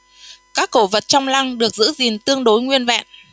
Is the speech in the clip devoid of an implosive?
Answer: no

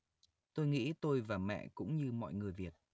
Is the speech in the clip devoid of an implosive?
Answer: yes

